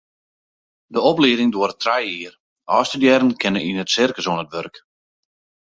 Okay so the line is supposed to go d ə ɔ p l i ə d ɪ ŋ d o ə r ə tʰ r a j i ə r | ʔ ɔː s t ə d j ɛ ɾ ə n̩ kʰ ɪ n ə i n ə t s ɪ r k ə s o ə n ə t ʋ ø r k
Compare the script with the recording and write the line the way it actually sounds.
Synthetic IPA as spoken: d ə ɔ p l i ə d ɪ ŋ d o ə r ə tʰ r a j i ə r | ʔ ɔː s t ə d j ɛ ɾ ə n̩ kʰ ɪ n ə i n ə t s ɪ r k ə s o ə n ə t ʋ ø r k